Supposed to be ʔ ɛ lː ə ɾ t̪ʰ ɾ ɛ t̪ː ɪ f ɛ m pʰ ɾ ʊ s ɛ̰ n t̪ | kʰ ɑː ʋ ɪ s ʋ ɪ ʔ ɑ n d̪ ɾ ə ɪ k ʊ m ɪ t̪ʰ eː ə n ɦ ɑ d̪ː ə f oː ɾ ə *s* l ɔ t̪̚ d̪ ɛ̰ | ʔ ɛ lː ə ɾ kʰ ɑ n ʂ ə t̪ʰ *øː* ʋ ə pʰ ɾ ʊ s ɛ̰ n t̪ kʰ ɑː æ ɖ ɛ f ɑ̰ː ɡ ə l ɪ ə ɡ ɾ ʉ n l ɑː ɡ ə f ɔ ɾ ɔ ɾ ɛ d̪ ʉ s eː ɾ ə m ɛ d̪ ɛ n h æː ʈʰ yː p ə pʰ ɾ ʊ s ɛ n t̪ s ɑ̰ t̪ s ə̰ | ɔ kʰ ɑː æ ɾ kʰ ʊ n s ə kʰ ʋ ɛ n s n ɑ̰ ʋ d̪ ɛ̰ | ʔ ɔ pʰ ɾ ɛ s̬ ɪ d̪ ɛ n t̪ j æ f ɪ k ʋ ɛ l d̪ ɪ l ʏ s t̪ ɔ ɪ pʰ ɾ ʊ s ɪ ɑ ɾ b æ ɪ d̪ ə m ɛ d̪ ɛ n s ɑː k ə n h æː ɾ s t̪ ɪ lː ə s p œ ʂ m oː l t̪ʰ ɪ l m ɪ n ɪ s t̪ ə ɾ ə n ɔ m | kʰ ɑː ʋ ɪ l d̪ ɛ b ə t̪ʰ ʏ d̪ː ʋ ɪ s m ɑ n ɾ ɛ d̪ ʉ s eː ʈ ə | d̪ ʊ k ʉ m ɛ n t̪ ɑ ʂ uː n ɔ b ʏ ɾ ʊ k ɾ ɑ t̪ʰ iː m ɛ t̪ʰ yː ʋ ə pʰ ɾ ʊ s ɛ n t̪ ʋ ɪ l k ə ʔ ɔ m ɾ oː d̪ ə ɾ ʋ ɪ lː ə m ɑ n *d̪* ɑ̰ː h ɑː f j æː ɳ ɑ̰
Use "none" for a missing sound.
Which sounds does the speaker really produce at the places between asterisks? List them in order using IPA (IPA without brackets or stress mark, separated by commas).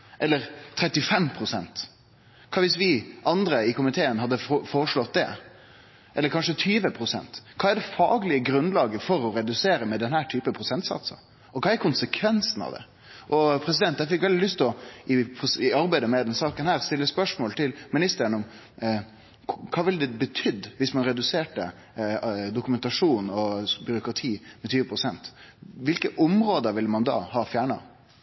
ʂ, yː, d̪